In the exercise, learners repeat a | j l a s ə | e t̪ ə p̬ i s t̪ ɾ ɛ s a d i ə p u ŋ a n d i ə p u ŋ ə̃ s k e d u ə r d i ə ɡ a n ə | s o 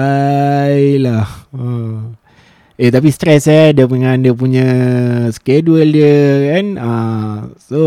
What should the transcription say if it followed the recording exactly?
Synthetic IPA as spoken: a | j l a h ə | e t̪ a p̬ i s t̪ ɾ ɛ s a d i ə p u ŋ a n d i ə p u ɲ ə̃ s k e d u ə l d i ə k a n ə | s o